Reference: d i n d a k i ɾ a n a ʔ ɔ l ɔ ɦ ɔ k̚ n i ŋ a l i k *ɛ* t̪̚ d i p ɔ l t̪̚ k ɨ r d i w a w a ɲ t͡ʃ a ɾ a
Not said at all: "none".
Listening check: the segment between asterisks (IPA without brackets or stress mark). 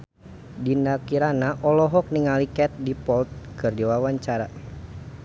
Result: ɛ